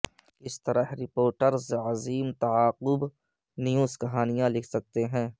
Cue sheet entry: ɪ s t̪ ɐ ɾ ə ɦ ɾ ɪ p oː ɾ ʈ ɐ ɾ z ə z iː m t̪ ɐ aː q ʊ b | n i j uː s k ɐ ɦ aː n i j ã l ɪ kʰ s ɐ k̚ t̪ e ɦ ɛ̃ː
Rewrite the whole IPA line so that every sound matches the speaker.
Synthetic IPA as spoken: ɪ s t̪ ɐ ɾ ə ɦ ɾ ɪ p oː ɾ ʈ ə ɾ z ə z iː m t̪ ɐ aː q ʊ b | n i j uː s k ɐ ɦ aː n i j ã l ɪ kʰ s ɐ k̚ t̪ e ɦ ɛ̃ː